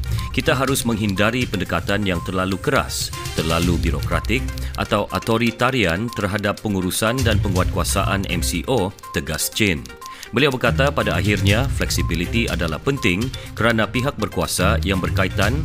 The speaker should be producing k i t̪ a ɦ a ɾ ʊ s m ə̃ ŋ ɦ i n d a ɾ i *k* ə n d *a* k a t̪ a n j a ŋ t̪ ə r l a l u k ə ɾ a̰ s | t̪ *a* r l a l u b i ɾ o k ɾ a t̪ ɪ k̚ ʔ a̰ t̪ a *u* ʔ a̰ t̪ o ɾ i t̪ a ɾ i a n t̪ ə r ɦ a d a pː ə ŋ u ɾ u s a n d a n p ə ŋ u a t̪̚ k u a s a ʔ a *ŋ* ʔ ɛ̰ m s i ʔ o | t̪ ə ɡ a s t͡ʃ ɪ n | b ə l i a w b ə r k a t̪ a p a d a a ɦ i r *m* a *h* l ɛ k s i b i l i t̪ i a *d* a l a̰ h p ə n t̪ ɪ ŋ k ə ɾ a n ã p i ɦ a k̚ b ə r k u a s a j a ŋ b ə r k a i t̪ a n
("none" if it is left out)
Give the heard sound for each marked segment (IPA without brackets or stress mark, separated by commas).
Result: p, ə, ə, w, n, ɲ, f, d